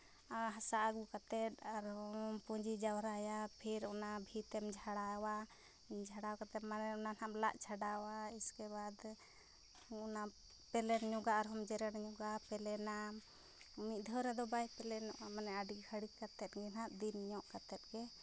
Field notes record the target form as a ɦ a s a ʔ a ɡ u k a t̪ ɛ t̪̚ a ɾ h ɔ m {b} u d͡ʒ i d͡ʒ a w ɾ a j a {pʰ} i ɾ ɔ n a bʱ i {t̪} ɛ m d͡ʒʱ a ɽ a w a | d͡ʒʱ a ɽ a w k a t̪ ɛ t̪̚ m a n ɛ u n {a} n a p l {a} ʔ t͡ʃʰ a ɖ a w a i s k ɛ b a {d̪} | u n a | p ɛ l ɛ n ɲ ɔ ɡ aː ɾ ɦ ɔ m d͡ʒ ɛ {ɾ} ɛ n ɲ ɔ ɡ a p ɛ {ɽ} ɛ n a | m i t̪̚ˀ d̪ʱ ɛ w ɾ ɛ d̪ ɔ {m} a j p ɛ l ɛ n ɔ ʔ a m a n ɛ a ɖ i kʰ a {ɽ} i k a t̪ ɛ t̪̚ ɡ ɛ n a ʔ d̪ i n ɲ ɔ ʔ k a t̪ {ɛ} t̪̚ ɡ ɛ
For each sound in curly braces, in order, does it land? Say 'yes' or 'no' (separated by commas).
no, yes, yes, yes, yes, yes, yes, no, no, yes, yes